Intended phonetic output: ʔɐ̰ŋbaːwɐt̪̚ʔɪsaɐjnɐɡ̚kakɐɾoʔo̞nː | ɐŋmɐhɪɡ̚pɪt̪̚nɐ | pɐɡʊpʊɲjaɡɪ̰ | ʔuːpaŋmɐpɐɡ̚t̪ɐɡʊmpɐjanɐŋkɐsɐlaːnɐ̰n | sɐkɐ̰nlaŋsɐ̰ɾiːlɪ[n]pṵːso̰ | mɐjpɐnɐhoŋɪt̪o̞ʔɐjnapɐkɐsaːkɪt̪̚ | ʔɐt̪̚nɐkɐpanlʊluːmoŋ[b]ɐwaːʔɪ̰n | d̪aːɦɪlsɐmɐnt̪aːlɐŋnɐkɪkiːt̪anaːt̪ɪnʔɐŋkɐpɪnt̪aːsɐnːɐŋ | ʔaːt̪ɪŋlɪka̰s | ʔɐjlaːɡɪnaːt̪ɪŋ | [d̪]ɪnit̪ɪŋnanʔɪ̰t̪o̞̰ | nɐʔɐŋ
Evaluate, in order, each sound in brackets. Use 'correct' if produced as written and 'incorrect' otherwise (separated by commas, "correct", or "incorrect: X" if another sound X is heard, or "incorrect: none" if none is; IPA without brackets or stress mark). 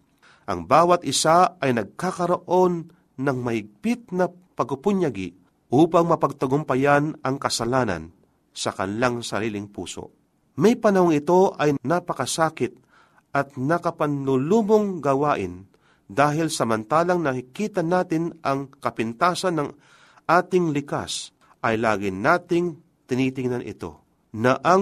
incorrect: ŋ, incorrect: ɡ, incorrect: t̪